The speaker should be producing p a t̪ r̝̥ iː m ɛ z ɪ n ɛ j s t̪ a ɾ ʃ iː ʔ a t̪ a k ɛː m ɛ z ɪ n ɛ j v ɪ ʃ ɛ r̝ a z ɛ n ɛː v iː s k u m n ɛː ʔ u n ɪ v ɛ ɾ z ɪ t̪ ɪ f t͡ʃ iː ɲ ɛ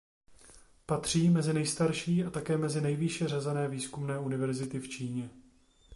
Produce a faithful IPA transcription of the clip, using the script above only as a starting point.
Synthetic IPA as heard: p a t̪ r̝̥ iː m ɛ z ɪ n ɛ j s t̪ a ɾ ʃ iː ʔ a t̪ a k ɛː m ɛ z ɪ n ɛ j v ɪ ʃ ɛ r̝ a z ɛ n ɛː v iː s k u m n ɛː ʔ u n ɪ v ɛ ɾ z ɪ t̪ ɪ f t͡ʃ iː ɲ ɛ